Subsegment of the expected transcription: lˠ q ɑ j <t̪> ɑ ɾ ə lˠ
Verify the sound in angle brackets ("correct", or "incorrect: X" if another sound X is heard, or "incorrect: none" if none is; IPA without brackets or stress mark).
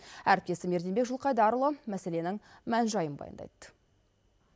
incorrect: d̪